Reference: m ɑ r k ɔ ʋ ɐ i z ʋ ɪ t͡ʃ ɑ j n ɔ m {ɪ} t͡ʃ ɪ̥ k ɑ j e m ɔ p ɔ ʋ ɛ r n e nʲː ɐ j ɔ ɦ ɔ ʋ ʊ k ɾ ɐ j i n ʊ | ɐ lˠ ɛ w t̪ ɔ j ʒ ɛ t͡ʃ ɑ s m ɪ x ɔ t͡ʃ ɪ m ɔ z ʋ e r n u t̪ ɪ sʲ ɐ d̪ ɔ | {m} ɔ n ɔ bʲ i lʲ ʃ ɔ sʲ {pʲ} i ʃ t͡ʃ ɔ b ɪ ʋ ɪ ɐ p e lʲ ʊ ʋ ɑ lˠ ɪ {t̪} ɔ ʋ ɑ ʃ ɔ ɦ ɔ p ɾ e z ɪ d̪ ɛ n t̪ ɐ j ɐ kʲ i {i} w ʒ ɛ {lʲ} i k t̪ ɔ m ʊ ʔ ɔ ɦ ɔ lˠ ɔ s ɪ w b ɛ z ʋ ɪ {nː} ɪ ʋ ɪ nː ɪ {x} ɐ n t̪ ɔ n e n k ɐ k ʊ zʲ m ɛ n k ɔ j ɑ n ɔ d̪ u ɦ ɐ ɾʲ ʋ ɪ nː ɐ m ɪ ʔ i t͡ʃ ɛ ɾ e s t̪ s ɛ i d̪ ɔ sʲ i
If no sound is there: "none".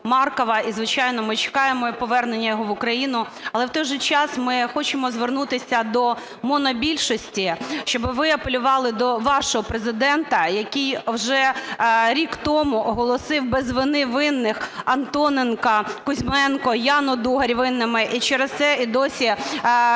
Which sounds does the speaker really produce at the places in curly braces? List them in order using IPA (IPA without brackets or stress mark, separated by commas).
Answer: ɪ, m, tʲ, d̪, j, ɾʲ, n, x